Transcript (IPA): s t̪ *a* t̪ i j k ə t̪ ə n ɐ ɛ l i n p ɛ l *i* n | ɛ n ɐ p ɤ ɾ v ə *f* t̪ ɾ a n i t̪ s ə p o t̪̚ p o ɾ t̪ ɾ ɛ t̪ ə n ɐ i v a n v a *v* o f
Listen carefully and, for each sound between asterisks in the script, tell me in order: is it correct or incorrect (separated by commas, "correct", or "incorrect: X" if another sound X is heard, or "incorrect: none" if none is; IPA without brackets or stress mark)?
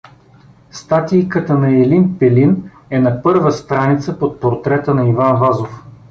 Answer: correct, correct, incorrect: s, incorrect: z